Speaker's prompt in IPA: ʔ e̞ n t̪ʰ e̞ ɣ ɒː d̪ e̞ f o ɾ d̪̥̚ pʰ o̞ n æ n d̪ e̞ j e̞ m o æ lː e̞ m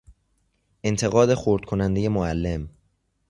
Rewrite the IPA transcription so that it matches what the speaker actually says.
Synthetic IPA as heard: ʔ e̞ n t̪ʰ e̞ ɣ ɒː d̪ e̞ x o ɾ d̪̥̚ kʰ o̞ n æ n d̪ e̞ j e̞ m o æ lː e̞ m